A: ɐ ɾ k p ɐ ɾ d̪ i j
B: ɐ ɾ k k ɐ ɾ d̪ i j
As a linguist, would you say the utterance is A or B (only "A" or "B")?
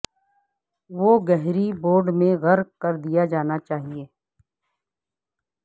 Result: B